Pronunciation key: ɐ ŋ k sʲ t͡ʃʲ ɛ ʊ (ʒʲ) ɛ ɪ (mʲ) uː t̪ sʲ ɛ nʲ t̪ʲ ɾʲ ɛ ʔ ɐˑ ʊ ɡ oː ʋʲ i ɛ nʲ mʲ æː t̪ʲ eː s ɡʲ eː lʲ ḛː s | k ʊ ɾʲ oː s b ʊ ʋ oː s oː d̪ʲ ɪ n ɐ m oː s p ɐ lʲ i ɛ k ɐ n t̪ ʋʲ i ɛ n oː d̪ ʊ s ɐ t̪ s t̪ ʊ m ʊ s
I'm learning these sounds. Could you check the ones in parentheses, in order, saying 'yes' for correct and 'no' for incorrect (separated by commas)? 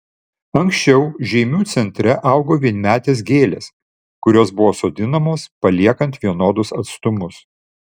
yes, yes